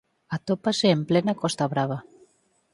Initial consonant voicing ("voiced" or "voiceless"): voiceless